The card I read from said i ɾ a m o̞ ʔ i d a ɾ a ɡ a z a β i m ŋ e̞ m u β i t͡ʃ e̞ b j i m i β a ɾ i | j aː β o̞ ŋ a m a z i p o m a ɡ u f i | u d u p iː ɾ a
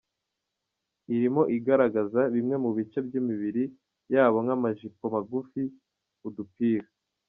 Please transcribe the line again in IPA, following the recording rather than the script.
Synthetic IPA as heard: i ɾ i m o̞ ʔ i ɡ a ɾ a ɡ a z a β i m ŋ e̞ m u β i t͡ʃ e̞ b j i m i β i ɾ i | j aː β o̞ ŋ a m a ʒ i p o m a ɡ u f i | u d u p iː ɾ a